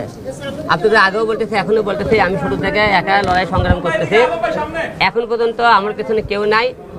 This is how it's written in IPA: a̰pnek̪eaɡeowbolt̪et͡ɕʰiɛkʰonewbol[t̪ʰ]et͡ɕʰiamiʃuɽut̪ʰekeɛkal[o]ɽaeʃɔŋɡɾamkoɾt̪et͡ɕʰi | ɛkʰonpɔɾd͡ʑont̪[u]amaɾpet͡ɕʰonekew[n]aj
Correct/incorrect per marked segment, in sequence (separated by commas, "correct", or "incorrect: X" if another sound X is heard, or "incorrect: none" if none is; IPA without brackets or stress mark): incorrect: t̪, incorrect: ɔ, incorrect: o, correct